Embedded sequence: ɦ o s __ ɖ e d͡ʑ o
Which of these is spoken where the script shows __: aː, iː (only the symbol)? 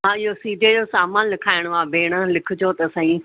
iː